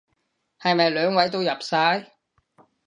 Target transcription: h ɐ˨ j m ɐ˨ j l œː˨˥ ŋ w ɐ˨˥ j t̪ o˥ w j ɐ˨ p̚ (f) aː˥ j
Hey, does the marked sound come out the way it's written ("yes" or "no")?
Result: no